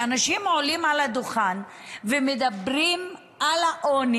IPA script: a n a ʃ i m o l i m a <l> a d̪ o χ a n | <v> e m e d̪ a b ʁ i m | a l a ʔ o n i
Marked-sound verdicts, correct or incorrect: correct, correct

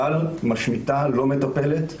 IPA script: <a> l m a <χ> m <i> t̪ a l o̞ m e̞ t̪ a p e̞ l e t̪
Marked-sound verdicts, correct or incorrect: correct, incorrect: ʃ, correct

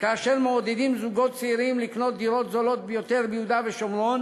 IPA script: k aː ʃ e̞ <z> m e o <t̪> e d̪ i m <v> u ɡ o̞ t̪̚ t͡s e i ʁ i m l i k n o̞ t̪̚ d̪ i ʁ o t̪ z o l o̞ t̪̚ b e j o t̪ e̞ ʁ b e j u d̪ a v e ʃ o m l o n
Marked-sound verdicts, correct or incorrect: incorrect: ʁ, incorrect: d̪, incorrect: z

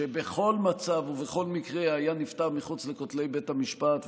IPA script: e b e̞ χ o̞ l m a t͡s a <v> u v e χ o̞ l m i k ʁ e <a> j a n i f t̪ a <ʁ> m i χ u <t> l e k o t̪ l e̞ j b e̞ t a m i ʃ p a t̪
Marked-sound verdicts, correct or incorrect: correct, correct, correct, incorrect: t͡s

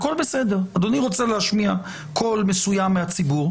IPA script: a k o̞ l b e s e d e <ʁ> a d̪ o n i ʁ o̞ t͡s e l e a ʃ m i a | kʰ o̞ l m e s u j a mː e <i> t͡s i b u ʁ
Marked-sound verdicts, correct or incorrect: correct, incorrect: a

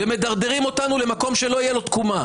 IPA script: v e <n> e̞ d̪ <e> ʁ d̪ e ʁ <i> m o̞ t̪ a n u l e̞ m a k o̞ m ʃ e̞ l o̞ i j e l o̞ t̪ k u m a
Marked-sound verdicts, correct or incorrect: incorrect: m, incorrect: a, correct

